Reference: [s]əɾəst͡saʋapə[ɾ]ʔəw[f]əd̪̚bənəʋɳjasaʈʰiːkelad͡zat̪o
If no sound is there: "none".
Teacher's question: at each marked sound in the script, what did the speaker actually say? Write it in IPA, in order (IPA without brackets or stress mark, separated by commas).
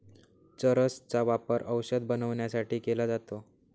t͡s, ɾ, ɕ